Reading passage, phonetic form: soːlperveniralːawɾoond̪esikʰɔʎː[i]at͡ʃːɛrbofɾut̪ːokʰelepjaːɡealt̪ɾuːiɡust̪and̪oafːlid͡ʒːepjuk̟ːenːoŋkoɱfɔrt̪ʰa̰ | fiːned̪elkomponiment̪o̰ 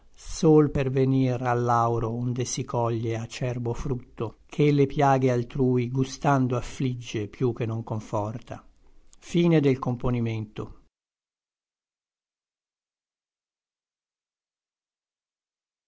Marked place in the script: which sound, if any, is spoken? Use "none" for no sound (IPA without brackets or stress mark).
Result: e